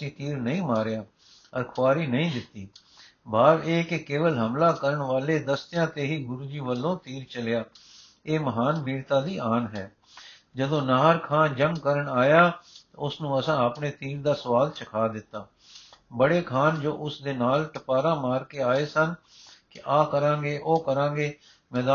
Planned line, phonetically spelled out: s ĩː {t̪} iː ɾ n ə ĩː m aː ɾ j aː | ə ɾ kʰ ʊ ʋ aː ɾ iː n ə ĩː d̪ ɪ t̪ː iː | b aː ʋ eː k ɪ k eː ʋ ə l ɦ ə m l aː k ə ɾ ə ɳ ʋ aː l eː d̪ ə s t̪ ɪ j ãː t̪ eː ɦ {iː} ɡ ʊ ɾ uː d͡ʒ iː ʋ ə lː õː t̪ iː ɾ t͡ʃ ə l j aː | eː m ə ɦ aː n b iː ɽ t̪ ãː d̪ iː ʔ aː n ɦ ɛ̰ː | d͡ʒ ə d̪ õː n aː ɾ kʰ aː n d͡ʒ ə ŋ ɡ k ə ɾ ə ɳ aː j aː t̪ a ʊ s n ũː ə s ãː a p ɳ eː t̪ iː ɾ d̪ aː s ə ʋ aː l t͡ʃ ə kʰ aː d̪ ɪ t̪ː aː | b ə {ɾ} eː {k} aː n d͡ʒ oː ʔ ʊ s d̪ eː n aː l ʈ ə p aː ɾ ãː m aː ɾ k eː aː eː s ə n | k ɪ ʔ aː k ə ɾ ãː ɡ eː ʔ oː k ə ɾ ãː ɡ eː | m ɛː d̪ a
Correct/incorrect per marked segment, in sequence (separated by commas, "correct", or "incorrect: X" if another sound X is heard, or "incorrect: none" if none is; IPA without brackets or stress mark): correct, correct, incorrect: ɽ, incorrect: kʰ